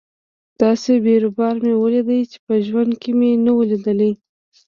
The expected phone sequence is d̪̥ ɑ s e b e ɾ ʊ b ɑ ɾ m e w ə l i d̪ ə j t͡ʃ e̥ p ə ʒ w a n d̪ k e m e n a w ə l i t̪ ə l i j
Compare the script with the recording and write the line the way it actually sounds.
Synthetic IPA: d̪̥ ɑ s e b e ɾ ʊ b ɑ ɾ m e w ə l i d̪ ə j t͡ʃ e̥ p ə ʒ w a n d̪ k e m e n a w ə l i d̪ ə l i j